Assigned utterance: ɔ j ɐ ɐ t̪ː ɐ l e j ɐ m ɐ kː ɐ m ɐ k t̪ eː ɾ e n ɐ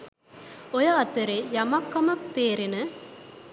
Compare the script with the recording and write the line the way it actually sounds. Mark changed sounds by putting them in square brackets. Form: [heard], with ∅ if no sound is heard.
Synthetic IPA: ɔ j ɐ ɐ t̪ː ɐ [ɾ] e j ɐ m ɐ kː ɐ m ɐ k t̪ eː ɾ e n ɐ